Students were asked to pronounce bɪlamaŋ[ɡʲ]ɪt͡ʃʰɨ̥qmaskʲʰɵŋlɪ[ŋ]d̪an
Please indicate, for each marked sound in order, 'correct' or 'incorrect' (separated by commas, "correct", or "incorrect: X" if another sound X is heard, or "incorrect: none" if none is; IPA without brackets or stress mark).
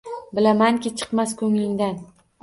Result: incorrect: kʲ, correct